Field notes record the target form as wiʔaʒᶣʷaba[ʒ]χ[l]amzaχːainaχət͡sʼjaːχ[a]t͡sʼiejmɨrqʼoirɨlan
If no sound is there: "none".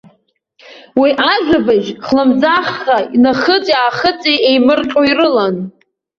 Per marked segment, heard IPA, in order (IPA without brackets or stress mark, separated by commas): ʒ, l, ə